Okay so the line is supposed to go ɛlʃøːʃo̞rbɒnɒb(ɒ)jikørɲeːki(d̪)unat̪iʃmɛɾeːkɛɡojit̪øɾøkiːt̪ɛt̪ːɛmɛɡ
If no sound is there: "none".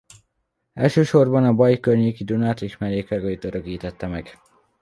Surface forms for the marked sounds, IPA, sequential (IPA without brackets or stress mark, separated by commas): ɒ, d̪